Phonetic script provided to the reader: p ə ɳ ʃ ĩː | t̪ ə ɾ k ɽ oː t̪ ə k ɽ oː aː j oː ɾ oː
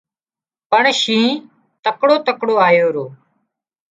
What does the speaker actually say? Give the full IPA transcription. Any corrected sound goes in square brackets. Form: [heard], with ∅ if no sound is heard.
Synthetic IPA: p ə ɳ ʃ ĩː | t̪ ə [∅] k ɽ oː t̪ ə k ɽ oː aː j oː ɾ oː